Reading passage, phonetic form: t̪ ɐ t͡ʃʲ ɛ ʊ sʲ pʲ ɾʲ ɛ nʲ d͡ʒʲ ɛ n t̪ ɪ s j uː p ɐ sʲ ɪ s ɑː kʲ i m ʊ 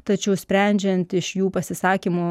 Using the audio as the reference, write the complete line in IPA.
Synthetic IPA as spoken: t̪ ɐ t͡ʃʲ ɛ ʊ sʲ pʲ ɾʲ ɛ nʲ d͡ʒʲ ɛ n t̪ ɪ ʃ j uː p ɐ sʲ ɪ s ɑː kʲ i m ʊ